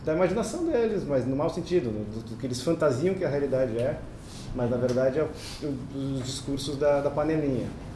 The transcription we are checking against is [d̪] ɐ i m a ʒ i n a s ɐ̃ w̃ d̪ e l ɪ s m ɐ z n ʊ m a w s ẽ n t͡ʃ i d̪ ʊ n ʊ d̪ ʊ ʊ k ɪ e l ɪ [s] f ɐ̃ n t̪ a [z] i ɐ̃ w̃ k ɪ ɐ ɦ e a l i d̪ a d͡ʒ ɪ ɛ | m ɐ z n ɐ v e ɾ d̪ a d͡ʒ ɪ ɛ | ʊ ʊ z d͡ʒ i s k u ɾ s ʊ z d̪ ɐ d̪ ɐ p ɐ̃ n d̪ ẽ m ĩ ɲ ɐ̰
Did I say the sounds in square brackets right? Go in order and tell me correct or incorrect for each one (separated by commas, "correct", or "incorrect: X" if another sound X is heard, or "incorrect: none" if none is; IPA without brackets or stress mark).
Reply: correct, correct, correct